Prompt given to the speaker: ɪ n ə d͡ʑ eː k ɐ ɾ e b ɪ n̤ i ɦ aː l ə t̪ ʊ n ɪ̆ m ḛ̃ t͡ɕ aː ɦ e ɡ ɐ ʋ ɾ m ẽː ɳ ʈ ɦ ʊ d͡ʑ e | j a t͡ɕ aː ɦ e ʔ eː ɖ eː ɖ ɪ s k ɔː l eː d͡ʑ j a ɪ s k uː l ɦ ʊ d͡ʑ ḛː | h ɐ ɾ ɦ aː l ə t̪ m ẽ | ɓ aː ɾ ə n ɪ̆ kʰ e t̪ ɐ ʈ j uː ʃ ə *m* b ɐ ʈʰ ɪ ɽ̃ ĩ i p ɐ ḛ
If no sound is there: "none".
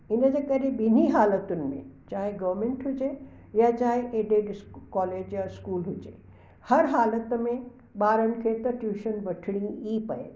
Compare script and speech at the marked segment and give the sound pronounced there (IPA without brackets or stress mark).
n